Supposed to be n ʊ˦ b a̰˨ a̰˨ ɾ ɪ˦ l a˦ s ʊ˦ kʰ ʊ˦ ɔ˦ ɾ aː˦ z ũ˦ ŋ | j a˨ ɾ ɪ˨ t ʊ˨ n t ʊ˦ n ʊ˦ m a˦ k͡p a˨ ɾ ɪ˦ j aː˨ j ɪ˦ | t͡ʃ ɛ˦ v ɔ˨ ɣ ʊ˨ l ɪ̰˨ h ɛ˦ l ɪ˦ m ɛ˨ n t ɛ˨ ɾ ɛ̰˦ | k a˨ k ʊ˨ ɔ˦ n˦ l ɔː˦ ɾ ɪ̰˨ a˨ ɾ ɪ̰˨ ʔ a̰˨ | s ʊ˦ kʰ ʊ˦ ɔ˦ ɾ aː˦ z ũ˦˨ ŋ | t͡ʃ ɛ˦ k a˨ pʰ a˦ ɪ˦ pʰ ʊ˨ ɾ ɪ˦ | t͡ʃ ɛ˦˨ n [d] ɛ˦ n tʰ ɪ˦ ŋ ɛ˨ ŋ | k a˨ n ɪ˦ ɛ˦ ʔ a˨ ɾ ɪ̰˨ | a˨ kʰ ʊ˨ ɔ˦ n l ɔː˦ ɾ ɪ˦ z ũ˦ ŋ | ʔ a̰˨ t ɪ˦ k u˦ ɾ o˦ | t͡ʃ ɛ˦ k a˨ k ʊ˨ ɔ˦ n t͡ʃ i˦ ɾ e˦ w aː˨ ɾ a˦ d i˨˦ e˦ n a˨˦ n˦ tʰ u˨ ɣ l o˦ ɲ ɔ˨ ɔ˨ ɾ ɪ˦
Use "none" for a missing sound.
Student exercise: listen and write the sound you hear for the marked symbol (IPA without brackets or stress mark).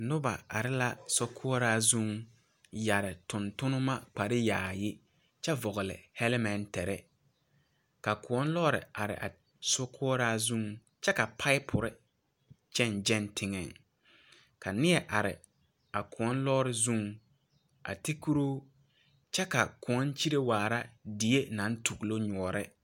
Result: d͡ʒ